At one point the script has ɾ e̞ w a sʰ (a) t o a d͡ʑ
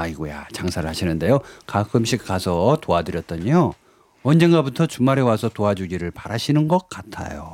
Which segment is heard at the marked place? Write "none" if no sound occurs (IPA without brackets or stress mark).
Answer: ʌ